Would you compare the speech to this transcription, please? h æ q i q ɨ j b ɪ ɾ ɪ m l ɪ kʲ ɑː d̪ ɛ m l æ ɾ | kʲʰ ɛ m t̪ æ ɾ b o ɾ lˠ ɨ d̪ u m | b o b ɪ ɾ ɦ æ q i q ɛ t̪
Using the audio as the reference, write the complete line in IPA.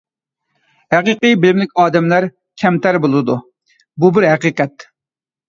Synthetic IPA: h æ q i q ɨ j b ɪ l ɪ m l ɪ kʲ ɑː d̪ ɛ m l æ ɾ | kʲʰ ɛ m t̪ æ ɾ b o lˠ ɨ d̪ u | b u b ɪ ɾ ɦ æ q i q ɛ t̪

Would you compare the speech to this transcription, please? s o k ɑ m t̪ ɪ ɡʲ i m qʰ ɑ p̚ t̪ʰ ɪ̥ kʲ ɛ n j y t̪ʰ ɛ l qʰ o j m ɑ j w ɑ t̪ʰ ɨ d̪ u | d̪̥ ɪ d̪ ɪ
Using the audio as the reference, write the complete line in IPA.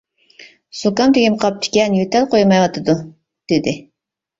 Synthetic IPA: s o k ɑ m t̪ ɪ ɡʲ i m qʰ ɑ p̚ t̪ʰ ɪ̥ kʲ ɛ n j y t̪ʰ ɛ l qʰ o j m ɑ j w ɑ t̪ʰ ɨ d̪ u | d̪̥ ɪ d̪ ɪ

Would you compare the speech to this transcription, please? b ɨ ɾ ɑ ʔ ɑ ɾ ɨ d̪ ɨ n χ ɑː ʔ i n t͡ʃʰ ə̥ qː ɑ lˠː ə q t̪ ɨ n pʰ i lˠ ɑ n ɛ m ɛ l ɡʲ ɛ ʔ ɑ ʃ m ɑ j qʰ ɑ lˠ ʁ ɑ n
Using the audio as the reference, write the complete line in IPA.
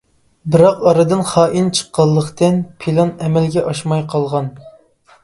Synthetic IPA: b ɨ ɾ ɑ q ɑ ɾ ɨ d̪ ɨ n χ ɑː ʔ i n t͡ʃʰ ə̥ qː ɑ lˠː ə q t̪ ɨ n pʰ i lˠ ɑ n ɛ m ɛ l ɡʲ ɛ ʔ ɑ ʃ m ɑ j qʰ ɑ lˠ ʁ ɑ n

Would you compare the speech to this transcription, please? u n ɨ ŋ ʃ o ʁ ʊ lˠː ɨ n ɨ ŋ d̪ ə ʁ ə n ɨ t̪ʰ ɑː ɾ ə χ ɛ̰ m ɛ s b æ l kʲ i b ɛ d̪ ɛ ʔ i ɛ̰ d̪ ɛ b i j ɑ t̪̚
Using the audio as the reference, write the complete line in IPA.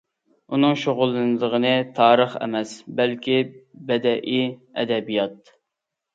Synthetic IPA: u n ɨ ŋ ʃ o ʁ ʊ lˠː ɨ n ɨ d̪ ə ʁ ə n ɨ t̪ʰ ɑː ɾ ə χ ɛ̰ m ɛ s b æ l kʲ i b ɛ d̪ ɛ ʔ i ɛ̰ d̪ ɛ b i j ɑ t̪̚

